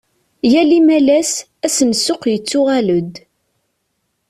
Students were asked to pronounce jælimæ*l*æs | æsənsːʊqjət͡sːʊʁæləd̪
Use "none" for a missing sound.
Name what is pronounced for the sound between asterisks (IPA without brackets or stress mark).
l